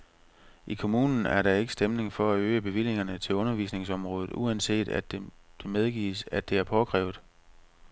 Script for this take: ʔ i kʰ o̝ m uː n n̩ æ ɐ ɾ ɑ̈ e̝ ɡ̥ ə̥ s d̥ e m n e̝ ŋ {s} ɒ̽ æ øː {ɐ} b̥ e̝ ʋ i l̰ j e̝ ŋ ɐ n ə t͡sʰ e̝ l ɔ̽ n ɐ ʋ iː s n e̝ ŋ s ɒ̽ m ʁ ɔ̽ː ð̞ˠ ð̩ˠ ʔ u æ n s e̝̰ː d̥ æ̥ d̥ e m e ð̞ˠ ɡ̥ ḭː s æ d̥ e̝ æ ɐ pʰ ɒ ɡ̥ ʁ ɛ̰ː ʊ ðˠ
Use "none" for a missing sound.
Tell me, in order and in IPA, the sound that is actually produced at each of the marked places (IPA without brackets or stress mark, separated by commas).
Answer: f, ə